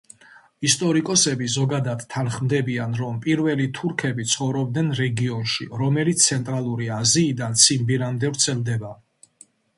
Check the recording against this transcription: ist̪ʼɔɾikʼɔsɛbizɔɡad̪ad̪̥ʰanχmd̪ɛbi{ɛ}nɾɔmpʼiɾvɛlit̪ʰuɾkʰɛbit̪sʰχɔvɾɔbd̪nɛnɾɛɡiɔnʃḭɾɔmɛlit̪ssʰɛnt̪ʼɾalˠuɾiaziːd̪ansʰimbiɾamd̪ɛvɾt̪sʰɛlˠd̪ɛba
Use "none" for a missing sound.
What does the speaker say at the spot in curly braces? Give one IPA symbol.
a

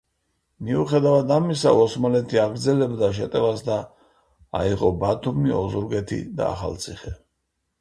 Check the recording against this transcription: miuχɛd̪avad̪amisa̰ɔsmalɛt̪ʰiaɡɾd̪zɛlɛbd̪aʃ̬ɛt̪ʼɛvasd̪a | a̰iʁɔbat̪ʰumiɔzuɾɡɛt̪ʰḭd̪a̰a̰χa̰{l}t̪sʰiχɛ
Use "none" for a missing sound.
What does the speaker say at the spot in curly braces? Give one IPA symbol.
l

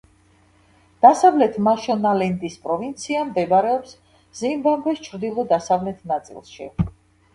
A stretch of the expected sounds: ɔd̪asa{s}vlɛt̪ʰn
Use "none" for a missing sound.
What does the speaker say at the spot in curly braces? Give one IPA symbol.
none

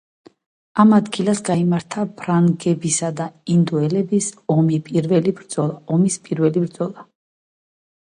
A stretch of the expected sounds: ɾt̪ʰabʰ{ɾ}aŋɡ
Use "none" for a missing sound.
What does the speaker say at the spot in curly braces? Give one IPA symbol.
ɾ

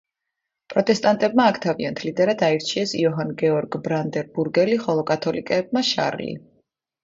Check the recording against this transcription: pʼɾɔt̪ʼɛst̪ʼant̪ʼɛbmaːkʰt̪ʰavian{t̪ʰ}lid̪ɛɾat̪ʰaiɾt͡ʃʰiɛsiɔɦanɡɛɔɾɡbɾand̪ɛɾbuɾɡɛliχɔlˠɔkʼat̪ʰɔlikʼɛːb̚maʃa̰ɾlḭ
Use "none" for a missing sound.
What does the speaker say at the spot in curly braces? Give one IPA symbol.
t̪ʰ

